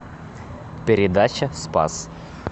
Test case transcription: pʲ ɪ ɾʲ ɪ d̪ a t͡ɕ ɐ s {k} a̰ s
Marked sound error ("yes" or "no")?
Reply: yes